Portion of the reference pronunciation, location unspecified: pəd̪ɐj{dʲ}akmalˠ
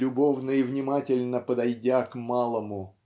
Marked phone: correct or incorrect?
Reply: correct